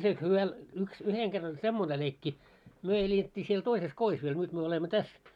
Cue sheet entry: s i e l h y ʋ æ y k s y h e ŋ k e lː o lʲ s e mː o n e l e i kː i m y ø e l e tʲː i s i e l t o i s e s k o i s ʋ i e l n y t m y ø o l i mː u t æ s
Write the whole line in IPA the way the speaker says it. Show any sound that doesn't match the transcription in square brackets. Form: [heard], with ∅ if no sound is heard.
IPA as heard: s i e l h y ʋ æ y k s y h e ŋ k e [rː] o lʲ s e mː o n e l e i kː i m y ø e l e tʲː i s i e l t o i s e s k o i s ʋ i e l n y t m y ø o l [e] mː [o] t æ s